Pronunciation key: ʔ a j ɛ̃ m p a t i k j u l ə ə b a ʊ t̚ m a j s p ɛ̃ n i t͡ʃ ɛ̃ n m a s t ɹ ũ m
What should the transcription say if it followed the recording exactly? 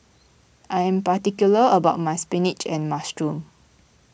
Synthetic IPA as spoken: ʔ a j ɛ̃ m p a t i k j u l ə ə b a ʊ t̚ m a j s p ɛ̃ n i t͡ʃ ɛ̃ n m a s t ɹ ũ m